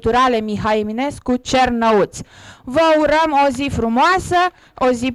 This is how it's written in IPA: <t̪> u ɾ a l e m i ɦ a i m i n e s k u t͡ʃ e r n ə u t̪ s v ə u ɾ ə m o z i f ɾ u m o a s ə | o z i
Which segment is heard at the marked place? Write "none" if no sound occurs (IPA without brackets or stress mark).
t̪